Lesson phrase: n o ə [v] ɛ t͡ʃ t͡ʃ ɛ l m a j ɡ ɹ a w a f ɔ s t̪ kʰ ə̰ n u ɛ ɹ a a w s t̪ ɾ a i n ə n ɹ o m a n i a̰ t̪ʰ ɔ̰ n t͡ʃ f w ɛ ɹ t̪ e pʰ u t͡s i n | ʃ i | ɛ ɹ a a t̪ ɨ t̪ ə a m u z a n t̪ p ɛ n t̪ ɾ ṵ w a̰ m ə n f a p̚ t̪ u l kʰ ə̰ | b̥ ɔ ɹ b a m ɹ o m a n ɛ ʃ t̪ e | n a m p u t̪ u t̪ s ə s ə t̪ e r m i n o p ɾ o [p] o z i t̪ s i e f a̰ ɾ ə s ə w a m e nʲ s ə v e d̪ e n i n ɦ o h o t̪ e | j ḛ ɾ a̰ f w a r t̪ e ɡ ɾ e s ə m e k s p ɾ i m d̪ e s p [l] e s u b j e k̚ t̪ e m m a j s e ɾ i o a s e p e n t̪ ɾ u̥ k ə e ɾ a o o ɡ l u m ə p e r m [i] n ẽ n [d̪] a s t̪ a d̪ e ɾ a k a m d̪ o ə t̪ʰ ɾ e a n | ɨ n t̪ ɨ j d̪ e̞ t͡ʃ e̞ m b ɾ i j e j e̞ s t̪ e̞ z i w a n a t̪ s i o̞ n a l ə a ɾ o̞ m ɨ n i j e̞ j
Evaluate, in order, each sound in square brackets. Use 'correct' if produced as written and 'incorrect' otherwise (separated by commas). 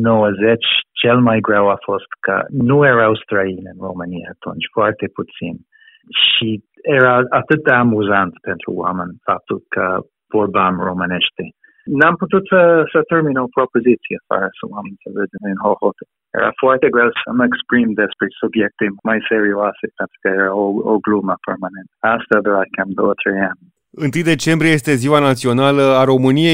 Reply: incorrect, correct, incorrect, incorrect, incorrect